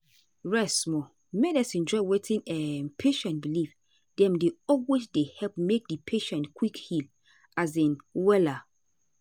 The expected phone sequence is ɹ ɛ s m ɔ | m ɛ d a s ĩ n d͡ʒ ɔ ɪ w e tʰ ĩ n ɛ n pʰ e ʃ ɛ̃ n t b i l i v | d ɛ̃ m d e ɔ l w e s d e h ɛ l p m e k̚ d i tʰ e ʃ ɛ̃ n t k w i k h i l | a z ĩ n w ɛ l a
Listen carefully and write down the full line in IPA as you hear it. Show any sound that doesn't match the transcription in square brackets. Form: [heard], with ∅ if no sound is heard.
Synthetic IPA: ɹ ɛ s m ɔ | m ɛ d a s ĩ n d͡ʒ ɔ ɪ w e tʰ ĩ n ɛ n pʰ e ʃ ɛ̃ n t b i l i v | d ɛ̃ m d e ɔ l w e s d e h ɛ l p m e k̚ d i [pʰ] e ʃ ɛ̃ n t k w i k h i l | a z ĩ n w ɛ l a